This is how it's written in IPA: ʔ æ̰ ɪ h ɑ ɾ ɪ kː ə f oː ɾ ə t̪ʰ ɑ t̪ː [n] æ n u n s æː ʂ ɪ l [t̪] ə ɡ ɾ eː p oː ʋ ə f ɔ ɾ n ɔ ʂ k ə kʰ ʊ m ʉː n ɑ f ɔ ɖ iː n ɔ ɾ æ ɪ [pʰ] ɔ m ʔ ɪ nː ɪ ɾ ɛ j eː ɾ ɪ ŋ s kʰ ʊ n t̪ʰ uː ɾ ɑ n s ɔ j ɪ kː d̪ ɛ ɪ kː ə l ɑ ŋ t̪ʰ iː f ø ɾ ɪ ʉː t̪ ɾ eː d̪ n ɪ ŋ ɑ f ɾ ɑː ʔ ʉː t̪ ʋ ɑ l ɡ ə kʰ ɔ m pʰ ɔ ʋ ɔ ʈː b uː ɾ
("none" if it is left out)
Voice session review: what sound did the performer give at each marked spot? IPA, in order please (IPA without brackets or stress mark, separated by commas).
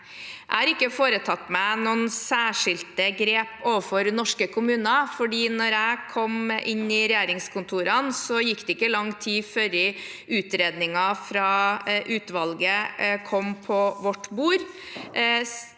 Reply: m, t̪, kʰ